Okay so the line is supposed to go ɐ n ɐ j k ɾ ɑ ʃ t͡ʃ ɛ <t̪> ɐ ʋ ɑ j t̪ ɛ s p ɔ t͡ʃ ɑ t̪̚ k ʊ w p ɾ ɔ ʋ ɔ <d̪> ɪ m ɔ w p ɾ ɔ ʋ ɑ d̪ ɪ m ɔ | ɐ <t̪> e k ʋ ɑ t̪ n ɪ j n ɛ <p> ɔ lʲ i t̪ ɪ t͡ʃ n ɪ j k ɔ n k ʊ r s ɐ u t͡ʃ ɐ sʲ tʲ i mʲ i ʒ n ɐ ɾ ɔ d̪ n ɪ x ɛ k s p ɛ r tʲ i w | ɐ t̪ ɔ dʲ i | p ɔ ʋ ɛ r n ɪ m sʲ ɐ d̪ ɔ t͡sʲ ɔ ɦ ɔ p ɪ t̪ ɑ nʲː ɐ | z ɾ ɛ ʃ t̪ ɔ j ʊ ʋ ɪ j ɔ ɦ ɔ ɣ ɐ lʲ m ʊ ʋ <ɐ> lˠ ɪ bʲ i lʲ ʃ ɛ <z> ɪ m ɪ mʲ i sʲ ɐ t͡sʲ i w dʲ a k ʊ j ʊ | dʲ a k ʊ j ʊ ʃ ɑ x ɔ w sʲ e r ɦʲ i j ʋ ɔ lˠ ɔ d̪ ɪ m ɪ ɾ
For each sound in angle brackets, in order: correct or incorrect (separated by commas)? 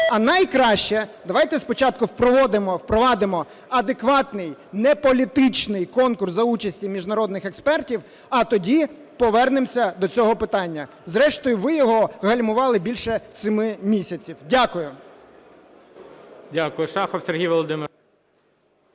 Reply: incorrect, correct, incorrect, correct, incorrect, incorrect